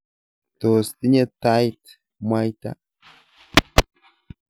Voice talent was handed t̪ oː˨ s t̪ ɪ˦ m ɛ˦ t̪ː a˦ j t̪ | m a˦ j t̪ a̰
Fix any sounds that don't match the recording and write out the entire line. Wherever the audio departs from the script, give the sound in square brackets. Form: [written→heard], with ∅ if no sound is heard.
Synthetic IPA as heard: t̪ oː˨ s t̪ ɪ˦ [m→ɲ] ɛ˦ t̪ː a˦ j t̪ | m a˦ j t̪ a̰